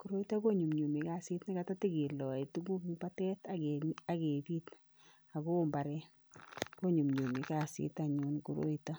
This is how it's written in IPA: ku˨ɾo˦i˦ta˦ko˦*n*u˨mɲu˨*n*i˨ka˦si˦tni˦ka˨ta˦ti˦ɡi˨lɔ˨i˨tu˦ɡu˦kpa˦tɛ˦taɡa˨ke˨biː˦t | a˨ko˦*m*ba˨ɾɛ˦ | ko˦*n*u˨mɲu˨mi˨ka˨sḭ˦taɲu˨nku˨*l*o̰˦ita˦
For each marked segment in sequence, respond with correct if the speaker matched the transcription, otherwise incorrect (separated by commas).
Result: incorrect, incorrect, correct, incorrect, incorrect